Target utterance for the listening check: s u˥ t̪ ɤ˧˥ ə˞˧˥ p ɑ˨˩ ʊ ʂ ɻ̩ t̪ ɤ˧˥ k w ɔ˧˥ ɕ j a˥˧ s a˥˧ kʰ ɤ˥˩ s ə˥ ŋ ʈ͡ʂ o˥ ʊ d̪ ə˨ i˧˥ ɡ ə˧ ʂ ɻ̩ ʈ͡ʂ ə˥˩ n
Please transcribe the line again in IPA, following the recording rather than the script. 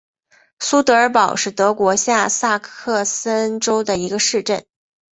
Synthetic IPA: s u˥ t̪ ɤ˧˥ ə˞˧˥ p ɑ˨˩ ʊ ʂ ɻ̩ t̪ ɤ˧˥ k w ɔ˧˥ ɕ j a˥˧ s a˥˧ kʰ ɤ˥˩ s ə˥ n ʈ͡ʂ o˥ ʊ d̪ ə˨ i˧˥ ɡ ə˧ ʂ ɻ̩ ʈ͡ʂ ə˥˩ n